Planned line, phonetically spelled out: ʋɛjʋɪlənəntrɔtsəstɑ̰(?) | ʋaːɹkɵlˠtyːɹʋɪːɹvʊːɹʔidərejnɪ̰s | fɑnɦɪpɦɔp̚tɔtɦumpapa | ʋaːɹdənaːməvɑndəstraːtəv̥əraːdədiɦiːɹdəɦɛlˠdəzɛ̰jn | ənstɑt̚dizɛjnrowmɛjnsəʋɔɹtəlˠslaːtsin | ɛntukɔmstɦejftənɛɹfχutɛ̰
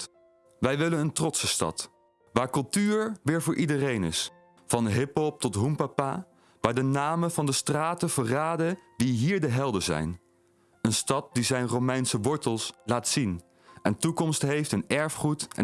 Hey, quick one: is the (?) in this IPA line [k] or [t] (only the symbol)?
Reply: t